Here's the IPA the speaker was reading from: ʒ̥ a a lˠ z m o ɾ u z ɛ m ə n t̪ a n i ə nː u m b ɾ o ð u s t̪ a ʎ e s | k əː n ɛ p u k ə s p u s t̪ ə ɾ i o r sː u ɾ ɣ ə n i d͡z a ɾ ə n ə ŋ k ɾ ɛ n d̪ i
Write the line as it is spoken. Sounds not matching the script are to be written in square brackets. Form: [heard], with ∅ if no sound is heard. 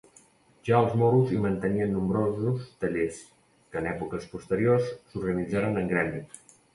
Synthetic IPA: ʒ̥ a [ə] lˠ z m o ɾ u z [i] m ə n t̪ [ə] n i ə nː u m b ɾ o [z] u s t̪ [ə] ʎ e s | k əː n ɛ p u k ə s p u s t̪ ə ɾ i o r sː u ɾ ɣ ə n i d͡z a ɾ ə n ə ŋ [ɡ] ɾ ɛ n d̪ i

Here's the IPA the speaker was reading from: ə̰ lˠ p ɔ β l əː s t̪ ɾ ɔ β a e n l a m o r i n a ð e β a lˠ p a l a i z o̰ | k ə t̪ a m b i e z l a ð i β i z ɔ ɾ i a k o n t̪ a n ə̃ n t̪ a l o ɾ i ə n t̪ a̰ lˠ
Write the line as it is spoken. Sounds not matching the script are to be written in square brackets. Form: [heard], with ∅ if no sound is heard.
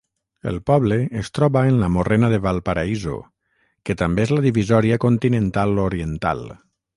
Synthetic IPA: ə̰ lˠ p ɔ β l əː s t̪ ɾ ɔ β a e n l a m o r [e] n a ð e β a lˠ p a [ɾ] a i z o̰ | k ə t̪ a m b [e] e z l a ð i β i z ɔ ɾ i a k o n t̪ [i] n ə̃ n t̪ a l o ɾ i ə n t̪ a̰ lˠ

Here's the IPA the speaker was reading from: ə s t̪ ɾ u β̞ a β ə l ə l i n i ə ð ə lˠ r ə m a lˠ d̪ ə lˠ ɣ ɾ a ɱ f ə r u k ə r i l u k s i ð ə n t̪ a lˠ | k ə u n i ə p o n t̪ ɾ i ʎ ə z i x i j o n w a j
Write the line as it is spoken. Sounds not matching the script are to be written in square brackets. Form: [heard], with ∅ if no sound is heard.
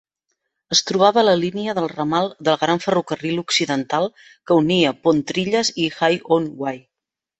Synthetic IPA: ə s t̪ ɾ u β̞ a β ə l ə l i n i ə ð ə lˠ r ə m a lˠ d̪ ə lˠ ɣ ɾ a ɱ f ə r u k ə r i l u k s i ð ə n t̪ a lˠ | k ə u n i ə p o n t̪ ɾ i ʎ ə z i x [a] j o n w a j

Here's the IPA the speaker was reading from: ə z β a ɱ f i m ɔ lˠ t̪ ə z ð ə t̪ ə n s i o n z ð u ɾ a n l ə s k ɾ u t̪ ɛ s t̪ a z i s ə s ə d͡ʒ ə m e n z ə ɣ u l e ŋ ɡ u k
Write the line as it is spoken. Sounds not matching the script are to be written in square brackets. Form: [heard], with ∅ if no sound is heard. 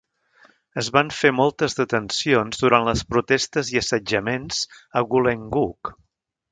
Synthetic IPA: ə z β a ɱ f [e] m ɔ lˠ t̪ ə z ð ə t̪ ə n s i o n z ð u ɾ a n l ə s [p] ɾ u t̪ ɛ s t̪ [ə] z i [∅] ə s ə d͡ʒ ə m e n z ə ɣ u l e ŋ ɡ u k

